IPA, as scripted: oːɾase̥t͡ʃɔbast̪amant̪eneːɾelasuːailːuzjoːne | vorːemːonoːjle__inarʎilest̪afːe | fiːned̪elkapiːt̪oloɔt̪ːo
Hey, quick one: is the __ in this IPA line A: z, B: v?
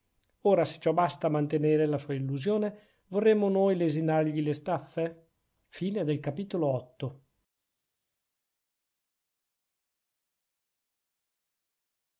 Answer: A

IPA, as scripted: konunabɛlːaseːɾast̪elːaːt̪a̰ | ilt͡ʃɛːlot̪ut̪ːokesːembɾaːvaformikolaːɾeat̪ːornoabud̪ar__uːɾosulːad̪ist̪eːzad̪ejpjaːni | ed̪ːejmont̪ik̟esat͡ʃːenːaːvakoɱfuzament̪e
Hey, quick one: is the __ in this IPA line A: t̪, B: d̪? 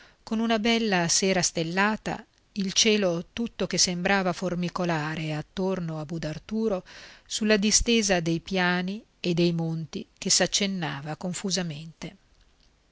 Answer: A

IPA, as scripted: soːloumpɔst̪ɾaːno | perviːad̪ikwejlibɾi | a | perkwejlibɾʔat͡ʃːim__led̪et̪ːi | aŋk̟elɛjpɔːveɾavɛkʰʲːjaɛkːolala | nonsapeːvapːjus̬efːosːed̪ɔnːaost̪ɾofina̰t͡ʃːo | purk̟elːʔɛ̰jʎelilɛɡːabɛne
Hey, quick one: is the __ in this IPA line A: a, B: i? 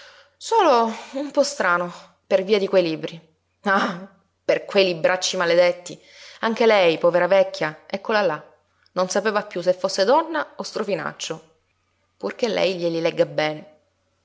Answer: A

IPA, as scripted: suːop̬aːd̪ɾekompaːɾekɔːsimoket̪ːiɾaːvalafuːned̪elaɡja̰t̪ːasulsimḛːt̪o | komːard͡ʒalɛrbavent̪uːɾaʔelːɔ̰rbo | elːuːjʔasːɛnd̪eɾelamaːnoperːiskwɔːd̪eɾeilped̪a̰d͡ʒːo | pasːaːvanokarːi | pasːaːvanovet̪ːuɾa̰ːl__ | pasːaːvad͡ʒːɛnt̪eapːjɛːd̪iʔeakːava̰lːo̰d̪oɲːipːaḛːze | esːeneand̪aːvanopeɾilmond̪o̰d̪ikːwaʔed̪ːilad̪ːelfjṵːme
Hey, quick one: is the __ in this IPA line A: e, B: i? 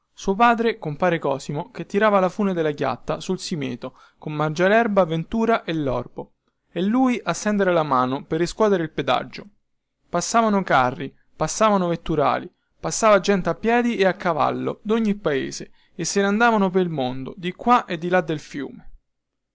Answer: B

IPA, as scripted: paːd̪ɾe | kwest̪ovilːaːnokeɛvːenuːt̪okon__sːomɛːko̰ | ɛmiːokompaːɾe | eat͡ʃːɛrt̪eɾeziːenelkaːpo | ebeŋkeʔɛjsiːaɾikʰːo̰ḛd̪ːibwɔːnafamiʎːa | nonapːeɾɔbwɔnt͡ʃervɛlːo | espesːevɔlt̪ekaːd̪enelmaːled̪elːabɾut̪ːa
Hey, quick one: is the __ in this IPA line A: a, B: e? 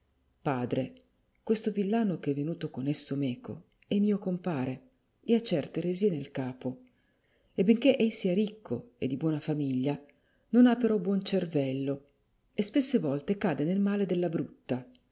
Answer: B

